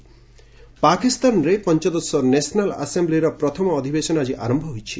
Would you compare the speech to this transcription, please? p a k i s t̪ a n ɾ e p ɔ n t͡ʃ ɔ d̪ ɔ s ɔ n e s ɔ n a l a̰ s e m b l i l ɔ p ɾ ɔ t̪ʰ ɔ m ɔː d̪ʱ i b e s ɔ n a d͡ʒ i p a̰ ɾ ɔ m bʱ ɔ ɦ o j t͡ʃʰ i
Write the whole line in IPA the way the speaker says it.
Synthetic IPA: p a k i s t̪ a n ɾ e p ɔ n t͡ʃ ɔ d̪ ɔ s ɔ n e s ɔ n a l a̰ s e m b l i ɾ ɔ p ɾ ɔ t̪ʰ ɔ m ɔː d̪ʱ i b e s ɔ n a d͡ʒ i ʔ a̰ ɾ ɔ m bʱ ɔ ɦ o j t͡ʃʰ i